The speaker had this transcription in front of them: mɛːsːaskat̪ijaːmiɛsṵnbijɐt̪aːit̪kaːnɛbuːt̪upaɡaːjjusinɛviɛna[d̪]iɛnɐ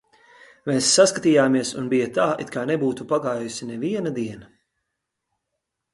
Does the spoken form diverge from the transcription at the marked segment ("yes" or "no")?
no